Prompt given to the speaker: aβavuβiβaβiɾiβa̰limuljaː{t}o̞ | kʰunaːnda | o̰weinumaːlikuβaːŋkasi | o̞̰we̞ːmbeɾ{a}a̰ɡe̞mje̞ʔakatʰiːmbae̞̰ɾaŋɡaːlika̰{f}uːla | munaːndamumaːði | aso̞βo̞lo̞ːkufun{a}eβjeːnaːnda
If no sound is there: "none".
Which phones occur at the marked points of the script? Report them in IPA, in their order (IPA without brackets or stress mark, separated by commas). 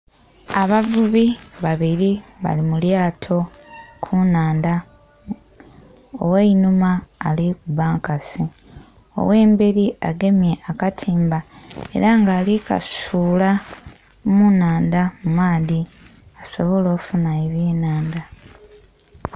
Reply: tʰ, i, s, a